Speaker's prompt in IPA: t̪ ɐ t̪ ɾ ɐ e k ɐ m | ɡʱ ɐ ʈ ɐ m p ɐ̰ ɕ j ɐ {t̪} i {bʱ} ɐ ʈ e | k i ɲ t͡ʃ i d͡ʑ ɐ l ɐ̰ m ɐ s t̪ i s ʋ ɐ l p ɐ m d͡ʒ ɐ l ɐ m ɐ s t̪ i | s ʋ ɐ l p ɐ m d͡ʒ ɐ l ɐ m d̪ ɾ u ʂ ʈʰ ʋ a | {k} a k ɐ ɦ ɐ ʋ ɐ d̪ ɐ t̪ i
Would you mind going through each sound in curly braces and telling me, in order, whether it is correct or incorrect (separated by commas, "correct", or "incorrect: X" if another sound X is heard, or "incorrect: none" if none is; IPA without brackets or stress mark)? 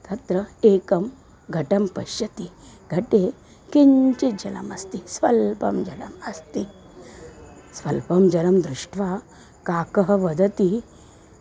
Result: correct, incorrect: ɡʱ, correct